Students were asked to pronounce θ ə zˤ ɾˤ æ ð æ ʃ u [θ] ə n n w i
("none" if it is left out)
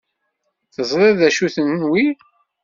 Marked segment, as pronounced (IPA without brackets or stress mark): θ